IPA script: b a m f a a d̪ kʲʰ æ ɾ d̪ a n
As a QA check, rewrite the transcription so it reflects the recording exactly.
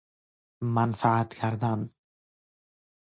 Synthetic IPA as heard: m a n f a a t̪ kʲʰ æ ɾ d̪ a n